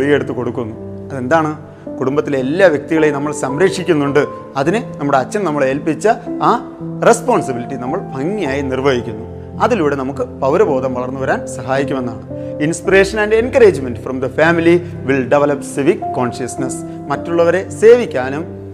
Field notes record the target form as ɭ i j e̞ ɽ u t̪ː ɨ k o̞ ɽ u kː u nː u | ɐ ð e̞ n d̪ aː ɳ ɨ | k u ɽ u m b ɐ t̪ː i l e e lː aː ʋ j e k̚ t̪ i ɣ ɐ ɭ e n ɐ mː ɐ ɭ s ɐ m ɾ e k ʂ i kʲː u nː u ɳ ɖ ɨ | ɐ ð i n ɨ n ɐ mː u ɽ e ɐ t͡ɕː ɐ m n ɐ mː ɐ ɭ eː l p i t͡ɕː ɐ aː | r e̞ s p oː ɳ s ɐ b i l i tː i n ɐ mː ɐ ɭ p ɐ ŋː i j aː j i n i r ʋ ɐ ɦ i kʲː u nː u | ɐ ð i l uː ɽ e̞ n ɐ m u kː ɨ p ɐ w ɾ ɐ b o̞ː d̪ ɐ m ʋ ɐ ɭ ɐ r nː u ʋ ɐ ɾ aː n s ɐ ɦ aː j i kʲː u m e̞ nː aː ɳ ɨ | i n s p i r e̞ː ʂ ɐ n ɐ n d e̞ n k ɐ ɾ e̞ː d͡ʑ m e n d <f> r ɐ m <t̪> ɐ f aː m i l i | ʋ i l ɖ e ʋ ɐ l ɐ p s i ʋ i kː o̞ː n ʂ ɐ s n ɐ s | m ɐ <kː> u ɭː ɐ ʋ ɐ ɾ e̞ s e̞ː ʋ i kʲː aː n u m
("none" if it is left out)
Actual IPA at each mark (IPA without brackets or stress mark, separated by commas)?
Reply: f, d̪, tː